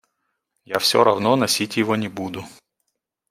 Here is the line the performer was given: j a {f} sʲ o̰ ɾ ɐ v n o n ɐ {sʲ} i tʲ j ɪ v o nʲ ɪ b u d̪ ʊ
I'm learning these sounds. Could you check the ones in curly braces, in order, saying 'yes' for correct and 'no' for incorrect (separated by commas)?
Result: yes, yes